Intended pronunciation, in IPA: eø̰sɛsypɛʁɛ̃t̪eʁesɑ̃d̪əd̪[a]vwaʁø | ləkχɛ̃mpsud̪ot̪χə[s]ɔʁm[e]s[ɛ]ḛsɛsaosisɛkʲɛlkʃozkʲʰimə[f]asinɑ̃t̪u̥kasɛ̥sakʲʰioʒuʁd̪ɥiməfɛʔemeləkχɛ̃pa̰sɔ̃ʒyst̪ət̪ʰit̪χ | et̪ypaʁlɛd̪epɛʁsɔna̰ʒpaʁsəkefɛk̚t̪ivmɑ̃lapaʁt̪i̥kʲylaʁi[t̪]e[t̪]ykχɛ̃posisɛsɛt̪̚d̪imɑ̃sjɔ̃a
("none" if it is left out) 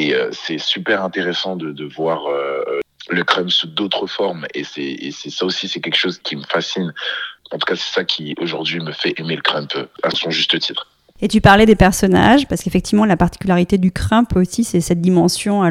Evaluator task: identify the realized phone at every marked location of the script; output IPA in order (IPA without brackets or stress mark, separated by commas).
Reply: ə, f, e, ɛ, f, t̪, d̪